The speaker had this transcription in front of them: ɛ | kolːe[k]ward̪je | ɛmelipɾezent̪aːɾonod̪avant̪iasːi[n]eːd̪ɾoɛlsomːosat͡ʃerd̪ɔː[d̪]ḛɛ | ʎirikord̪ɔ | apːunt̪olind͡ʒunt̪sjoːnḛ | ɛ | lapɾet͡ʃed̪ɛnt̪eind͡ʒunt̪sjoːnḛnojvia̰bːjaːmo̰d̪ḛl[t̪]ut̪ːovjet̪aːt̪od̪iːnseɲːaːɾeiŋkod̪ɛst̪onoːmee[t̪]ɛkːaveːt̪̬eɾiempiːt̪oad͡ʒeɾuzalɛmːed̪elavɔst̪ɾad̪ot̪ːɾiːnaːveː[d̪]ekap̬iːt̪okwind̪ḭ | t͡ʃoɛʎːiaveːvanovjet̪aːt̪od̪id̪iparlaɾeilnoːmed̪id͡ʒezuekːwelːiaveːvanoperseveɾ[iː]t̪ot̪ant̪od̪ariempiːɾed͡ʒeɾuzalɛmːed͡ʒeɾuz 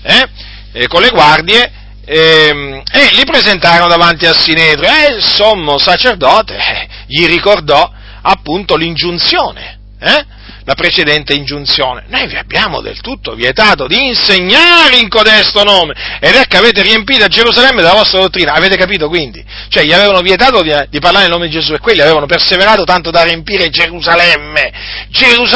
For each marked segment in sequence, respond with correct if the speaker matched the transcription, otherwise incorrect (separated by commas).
incorrect, correct, incorrect, correct, incorrect, incorrect, incorrect